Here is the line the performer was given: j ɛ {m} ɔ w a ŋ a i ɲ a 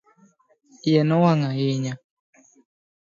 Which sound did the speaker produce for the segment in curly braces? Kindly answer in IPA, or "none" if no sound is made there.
n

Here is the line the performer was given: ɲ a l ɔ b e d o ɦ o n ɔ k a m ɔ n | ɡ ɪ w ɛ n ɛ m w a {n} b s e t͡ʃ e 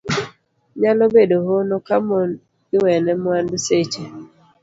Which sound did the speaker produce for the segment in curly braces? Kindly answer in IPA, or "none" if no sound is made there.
n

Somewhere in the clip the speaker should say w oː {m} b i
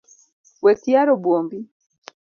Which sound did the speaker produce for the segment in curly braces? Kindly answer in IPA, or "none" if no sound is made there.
m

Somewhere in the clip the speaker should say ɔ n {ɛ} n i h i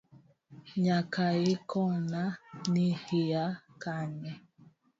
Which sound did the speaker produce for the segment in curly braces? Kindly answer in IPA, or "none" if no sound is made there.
a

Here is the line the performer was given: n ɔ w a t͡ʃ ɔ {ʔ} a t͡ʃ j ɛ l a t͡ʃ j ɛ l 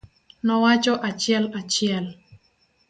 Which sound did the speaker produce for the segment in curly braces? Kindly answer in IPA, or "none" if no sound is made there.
ʔ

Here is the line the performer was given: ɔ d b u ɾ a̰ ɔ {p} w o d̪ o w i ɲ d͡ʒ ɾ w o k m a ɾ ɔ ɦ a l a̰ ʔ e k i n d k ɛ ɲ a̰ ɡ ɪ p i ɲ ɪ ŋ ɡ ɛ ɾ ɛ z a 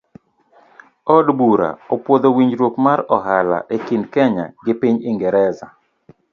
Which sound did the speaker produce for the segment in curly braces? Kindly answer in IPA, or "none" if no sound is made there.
p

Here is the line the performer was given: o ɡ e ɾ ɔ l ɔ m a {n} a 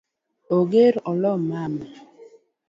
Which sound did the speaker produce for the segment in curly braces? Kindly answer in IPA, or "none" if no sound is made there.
m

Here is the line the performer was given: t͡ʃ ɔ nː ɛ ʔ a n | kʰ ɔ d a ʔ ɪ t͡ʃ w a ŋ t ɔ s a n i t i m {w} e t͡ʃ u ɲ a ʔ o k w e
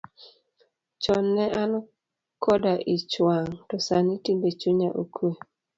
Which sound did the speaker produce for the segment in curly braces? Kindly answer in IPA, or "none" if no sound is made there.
b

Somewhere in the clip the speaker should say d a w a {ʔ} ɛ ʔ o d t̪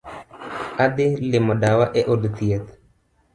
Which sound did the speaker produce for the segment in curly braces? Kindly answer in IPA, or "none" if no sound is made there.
ʔ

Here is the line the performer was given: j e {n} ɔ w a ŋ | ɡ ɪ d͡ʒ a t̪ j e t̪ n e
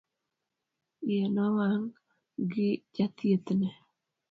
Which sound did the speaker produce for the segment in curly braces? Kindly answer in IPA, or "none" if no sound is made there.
n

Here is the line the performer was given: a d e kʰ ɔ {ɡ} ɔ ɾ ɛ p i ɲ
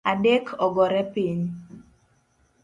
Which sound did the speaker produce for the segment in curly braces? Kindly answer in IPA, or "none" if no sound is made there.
ɡ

